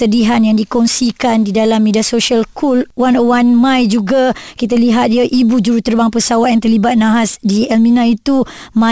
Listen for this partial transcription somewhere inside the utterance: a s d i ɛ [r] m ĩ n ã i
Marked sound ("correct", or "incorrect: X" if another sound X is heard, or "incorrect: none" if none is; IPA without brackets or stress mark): incorrect: l